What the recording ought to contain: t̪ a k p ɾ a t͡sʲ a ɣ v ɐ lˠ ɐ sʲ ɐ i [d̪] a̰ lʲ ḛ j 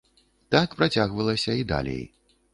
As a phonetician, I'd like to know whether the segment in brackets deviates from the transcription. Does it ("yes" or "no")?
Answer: no